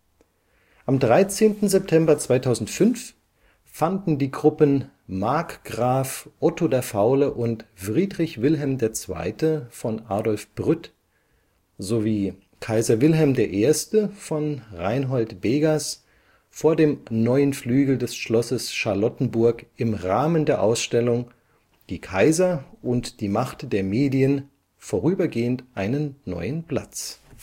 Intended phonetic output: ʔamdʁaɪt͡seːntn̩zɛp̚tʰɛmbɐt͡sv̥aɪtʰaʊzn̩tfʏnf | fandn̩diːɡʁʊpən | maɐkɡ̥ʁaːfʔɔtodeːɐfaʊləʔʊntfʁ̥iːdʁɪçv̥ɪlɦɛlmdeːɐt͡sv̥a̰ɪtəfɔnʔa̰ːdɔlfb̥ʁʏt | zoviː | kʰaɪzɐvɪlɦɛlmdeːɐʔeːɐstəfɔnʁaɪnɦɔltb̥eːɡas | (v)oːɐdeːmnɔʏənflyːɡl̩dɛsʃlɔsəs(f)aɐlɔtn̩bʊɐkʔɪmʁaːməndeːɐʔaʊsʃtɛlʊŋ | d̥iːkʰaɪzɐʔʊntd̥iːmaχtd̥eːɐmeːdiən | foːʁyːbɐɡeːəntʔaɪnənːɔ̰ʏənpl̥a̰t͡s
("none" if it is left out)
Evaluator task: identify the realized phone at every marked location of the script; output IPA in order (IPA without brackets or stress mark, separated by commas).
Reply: f, ʃ